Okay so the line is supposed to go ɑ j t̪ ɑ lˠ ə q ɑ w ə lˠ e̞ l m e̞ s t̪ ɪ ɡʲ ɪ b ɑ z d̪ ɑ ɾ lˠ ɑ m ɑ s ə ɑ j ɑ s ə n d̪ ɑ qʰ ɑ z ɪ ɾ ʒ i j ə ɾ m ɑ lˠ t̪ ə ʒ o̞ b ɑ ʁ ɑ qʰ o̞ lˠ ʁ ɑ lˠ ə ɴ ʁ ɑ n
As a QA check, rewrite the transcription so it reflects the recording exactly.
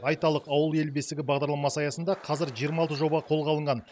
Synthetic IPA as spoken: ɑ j t̪ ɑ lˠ ə q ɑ w ə lˠ e̞ l b e̞ s t̪ ɪ ɡʲ ɪ b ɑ ʁ d̪ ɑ ɾ lˠ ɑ m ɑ s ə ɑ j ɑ s ə n d̪ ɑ qʰ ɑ z ɪ ɾ ʒ i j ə ɾ m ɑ lˠ t̪ ə ʒ o̞ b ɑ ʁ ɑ qʰ o̞ lˠ ʁ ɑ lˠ ə ɴ ʁ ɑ n